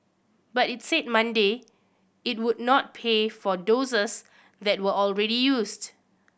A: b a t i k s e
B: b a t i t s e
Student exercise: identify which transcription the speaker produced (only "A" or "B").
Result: B